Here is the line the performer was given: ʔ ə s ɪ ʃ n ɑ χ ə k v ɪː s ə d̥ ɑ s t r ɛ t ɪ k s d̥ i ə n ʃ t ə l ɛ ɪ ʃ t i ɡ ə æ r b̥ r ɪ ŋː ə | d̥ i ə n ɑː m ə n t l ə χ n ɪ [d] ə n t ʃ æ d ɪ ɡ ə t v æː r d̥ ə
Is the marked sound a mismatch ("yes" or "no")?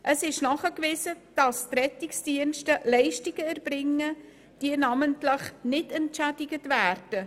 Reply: yes